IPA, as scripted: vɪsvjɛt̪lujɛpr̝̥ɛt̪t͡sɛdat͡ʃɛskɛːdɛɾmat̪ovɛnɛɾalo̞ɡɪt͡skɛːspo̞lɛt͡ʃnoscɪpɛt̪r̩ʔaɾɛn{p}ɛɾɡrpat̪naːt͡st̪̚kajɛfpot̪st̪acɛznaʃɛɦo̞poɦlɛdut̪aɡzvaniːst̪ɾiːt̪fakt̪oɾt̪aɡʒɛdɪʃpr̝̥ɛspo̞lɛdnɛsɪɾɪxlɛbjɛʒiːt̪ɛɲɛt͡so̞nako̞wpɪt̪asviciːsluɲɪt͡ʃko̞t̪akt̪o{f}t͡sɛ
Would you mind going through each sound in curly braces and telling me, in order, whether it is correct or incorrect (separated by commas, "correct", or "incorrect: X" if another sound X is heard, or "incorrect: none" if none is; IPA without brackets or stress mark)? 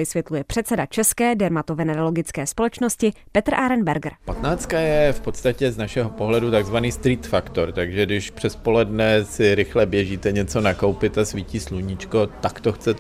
incorrect: b, incorrect: x